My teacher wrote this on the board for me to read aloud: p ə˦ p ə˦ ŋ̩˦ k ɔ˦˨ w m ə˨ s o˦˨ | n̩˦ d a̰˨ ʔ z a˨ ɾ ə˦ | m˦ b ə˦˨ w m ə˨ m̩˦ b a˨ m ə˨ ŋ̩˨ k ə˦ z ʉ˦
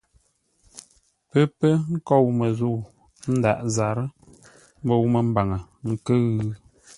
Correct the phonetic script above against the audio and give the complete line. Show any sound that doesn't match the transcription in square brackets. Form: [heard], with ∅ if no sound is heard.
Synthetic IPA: p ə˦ p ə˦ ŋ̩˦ k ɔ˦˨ w m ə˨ [z] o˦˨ | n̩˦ d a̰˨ ʔ z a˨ ɾ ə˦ | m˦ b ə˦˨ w m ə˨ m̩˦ b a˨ [ŋ] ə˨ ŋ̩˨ k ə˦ [ɣ] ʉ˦